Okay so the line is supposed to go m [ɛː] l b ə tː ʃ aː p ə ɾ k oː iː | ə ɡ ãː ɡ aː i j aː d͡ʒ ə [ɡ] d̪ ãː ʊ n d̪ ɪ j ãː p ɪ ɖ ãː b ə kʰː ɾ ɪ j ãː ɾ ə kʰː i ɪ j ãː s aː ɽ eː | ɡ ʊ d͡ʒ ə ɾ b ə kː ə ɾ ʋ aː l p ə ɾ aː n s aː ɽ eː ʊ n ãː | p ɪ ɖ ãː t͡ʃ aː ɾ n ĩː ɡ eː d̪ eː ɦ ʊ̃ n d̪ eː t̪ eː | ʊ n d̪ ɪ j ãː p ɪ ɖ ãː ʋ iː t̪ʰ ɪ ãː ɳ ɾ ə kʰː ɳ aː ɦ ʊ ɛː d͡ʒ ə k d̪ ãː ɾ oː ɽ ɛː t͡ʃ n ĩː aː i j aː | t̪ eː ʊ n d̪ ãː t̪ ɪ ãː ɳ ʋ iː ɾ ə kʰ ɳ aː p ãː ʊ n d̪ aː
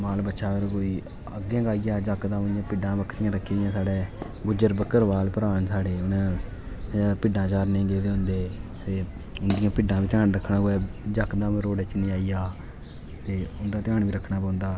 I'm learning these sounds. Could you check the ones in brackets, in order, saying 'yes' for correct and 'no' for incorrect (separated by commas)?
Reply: no, no